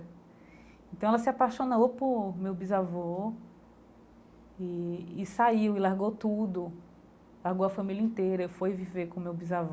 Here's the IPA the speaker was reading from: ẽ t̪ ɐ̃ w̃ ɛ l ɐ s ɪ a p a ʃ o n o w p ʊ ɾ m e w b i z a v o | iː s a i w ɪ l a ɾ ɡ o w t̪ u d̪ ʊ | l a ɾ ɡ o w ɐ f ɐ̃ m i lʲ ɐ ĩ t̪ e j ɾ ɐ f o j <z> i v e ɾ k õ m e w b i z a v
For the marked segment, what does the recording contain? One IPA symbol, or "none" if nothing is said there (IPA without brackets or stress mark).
v